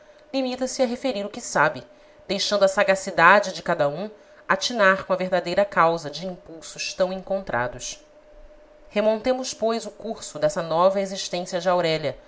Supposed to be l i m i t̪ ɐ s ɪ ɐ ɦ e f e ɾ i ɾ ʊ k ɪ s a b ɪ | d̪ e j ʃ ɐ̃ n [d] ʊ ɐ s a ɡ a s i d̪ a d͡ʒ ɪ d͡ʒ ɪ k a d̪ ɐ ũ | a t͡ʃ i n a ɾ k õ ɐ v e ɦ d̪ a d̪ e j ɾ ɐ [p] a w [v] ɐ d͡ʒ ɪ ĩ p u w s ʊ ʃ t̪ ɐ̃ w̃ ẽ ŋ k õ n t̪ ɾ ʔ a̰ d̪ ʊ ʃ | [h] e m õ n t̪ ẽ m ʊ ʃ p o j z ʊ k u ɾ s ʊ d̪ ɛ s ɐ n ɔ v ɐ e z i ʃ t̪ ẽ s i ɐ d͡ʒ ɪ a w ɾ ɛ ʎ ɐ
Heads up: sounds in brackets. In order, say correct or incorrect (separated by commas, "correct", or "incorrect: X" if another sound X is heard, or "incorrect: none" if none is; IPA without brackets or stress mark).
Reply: correct, incorrect: k, incorrect: z, correct